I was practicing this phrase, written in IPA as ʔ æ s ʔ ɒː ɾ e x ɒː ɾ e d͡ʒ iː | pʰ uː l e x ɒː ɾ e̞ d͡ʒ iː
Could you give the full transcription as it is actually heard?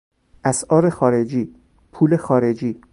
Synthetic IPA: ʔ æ s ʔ ɒː ɾ e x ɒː ɾ e d͡ʒ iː | pʰ uː l e x ɒː ɾ e̞ d͡ʒ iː